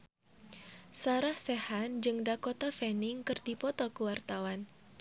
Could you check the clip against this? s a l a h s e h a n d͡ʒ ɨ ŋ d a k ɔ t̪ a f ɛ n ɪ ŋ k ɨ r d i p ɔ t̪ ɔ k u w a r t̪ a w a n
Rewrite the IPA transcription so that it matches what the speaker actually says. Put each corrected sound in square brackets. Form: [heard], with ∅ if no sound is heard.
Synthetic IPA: s a [ɾ] a h s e h a n d͡ʒ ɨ ŋ d a k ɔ t̪ a f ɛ n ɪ ŋ k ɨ r d i p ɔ t̪ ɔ k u w a r t̪ a w a n